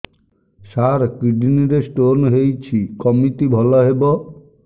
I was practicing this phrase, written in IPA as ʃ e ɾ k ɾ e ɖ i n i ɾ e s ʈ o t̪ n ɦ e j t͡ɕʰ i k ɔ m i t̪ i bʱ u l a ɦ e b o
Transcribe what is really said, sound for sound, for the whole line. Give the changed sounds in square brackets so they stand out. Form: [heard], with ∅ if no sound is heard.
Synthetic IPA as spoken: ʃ [a] ɾ k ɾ [i] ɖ i n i ɾ e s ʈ o [∅] n ɦ e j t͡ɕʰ i k ɔ m i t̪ i bʱ [ɔ] l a ɦ e b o